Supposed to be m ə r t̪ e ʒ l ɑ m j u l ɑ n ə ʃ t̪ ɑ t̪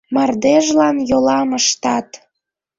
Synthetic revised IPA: m ɑ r d̪ e ʒ l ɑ n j o l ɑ m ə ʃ t̪ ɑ t̪